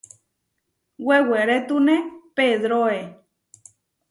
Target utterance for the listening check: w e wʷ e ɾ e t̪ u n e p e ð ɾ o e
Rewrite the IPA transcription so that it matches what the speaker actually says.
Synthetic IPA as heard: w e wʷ e ɾ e t̪ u n e p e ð ɾ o e